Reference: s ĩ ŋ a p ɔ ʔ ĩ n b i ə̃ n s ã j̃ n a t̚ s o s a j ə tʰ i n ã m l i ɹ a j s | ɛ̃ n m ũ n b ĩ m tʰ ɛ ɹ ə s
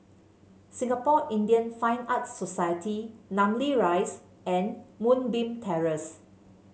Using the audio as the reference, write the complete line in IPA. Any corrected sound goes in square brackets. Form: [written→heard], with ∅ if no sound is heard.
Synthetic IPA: s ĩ ŋ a p ɔ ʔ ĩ n [b→d] i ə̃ n [s→f] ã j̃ n a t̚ s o s a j ə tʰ i n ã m l i ɹ a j s | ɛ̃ n m ũ n b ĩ m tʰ ɛ ɹ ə s